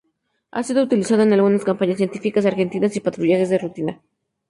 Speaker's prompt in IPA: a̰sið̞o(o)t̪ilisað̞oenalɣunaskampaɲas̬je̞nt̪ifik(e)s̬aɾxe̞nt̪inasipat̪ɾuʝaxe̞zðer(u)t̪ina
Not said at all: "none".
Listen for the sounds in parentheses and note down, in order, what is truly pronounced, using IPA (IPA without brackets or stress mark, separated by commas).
u, a, u